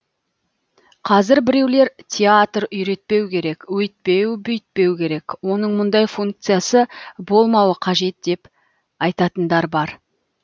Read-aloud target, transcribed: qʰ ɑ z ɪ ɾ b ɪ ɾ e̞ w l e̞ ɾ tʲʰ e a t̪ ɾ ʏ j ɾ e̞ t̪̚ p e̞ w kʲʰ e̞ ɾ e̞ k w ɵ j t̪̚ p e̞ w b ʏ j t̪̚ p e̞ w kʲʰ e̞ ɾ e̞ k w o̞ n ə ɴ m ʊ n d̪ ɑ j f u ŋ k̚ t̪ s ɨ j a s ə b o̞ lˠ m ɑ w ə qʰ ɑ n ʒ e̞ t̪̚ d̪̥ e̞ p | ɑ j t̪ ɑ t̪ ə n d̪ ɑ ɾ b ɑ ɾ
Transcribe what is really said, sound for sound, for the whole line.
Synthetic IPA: qʰ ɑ z ɪ ɾ b ɪ ɾ e̞ w l e̞ ɾ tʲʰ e a t̪ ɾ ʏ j ɾ e̞ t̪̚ p e̞ w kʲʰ e̞ ɾ e̞ k w ɵ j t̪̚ p e̞ w b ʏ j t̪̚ p e̞ w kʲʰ e̞ ɾ e̞ k w o̞ n ə ɴ m ʊ n d̪ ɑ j f u ŋ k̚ t̪ s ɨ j a s ə b o̞ lˠ m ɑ w ə qʰ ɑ ʒ e̞ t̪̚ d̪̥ e̞ p | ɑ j t̪ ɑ t̪ ə n d̪ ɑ ɾ b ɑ ɾ